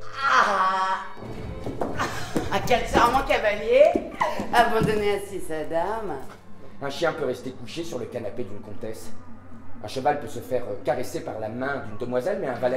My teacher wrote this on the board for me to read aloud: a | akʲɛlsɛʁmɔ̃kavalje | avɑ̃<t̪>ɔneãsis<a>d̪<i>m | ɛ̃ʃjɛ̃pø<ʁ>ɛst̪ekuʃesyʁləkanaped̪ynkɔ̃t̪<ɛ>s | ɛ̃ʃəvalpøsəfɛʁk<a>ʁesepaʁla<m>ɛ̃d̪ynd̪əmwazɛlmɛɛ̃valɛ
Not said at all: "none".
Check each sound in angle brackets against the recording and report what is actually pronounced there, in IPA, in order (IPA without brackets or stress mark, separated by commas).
d̪, a, a, ʁ, ɛ, a, m